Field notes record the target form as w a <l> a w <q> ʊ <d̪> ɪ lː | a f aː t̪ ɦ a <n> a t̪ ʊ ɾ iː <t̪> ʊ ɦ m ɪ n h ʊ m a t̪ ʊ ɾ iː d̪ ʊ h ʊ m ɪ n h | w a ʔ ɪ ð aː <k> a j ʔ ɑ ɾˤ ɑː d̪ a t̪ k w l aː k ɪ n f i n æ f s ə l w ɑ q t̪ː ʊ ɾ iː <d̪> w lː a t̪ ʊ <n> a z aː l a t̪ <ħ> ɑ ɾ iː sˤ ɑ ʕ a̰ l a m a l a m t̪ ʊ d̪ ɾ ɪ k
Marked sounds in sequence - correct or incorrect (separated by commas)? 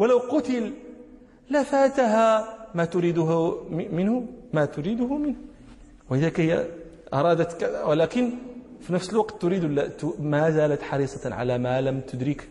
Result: correct, correct, incorrect, incorrect, incorrect, correct, correct, incorrect, correct